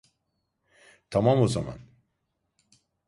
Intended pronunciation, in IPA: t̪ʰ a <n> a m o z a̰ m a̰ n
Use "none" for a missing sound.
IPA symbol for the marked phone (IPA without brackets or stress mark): m